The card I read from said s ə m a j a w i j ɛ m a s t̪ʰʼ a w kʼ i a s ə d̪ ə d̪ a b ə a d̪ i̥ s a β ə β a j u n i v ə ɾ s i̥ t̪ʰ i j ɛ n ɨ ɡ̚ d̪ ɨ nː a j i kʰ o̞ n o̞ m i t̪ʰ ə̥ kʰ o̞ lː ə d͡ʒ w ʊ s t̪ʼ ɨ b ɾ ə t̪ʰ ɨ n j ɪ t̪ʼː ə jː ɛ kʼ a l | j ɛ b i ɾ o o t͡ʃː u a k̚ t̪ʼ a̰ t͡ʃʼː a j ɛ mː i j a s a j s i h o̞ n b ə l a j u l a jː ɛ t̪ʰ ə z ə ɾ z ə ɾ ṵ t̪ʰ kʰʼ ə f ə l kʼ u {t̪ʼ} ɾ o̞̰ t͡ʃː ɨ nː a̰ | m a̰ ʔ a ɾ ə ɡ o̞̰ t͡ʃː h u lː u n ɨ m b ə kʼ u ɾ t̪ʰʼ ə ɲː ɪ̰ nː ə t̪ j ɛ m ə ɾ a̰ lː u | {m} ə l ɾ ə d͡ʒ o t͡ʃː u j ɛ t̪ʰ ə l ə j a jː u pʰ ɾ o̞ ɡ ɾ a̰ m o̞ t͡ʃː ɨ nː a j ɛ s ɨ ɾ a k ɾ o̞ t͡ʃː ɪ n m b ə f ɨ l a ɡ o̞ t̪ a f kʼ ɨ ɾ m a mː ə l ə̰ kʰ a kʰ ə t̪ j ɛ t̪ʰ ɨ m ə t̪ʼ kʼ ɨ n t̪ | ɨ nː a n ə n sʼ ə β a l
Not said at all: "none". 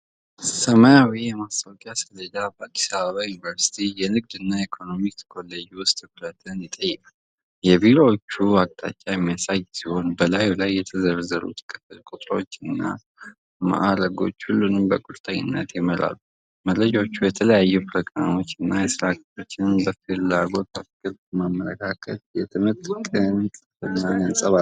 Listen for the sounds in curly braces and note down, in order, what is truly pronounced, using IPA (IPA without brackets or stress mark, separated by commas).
t̪ʼ, m